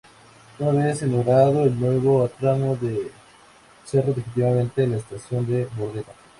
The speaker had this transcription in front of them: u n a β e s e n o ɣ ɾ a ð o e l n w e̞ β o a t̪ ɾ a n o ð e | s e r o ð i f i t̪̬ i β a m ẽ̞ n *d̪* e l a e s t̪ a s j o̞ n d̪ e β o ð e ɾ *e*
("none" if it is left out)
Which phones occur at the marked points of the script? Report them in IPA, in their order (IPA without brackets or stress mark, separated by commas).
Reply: t̪, a